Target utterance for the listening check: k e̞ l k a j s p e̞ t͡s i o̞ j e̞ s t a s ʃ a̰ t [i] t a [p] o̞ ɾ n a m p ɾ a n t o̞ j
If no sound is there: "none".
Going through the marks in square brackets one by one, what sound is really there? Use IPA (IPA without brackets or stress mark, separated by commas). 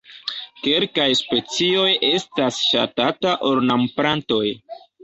a, ʔ